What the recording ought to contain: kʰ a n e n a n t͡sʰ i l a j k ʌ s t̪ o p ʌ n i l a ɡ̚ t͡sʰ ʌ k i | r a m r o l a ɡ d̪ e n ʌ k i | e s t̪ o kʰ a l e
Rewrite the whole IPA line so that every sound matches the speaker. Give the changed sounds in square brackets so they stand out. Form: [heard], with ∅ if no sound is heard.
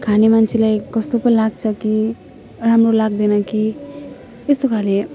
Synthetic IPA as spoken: kʰ a n e [m] a n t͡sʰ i l a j k ʌ s t̪ o p ʌ n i l a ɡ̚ t͡sʰ ʌ k i | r a m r o l a ɡ d̪ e n ʌ k i | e s t̪ o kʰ a l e